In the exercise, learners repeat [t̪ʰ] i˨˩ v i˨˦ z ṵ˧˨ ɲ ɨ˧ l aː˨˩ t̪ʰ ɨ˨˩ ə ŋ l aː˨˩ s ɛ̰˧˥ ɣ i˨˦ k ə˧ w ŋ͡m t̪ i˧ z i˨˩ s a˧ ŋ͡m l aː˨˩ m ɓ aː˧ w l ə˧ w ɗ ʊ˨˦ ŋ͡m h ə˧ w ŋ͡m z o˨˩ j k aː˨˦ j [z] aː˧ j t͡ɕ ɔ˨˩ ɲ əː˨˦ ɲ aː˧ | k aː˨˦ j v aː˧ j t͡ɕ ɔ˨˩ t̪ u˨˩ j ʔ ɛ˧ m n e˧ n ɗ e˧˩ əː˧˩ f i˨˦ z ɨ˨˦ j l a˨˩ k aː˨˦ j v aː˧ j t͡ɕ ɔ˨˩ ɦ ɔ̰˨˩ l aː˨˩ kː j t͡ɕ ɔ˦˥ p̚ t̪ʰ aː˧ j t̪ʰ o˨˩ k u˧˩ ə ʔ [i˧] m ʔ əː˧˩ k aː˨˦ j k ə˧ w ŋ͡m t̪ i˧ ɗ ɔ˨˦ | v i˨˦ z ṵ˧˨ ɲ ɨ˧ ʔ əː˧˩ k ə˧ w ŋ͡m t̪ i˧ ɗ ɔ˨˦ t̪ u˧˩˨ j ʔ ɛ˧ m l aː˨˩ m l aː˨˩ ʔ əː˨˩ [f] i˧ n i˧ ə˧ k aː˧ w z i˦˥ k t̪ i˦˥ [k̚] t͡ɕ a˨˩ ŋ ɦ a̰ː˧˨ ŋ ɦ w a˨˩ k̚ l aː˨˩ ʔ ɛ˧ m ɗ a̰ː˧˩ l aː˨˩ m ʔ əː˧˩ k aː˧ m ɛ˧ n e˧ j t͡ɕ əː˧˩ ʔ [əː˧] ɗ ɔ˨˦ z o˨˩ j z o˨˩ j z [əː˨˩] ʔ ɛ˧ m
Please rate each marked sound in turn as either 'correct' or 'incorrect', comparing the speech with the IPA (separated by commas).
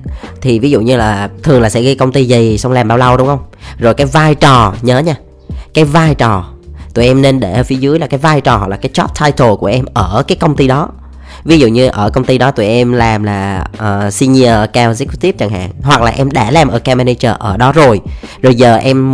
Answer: correct, incorrect, incorrect, incorrect, incorrect, incorrect, correct